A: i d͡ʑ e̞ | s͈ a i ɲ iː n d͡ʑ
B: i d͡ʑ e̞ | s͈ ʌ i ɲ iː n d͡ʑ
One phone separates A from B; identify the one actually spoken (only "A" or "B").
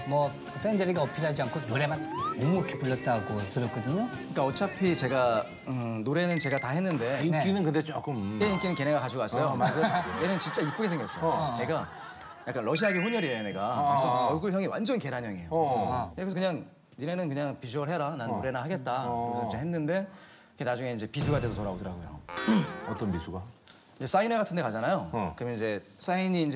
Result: A